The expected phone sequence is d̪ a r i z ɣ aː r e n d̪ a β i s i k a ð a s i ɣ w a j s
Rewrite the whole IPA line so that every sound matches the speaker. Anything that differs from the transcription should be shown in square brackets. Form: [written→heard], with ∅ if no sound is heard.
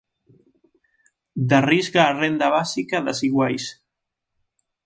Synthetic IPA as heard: d̪ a r i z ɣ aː r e n d̪ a β [i→a] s i k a ð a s i ɣ w a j s